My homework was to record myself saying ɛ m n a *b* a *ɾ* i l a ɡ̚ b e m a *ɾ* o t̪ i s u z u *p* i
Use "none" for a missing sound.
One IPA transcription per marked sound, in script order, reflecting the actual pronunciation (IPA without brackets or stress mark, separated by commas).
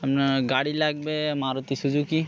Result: ɡ, ɽ, ɾ, k